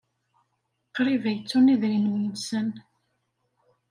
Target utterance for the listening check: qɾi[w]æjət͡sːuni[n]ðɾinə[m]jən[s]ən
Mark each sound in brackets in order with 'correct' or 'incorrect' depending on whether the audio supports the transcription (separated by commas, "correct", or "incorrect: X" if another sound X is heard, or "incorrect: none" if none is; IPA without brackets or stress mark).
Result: incorrect: v, incorrect: none, correct, correct